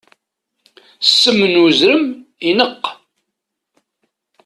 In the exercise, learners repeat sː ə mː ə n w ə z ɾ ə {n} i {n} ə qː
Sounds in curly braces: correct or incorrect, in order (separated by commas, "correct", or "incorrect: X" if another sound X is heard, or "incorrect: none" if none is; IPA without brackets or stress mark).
incorrect: m, correct